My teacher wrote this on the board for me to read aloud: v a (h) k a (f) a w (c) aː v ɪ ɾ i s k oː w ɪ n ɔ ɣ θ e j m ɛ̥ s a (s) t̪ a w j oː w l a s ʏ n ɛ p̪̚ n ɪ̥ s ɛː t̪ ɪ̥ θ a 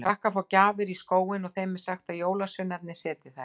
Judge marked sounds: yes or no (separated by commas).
yes, yes, yes, no